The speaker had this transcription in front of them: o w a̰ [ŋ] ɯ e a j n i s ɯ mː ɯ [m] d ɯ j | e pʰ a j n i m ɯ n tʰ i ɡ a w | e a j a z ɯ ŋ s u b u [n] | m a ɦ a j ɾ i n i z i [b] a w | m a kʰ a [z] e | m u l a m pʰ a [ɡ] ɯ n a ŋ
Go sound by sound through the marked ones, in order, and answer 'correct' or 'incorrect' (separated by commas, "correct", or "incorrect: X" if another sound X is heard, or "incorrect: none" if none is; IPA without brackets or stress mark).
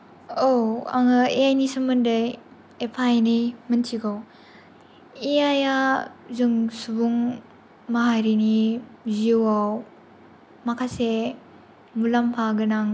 correct, incorrect: n, incorrect: ŋ, incorrect: w, incorrect: s, correct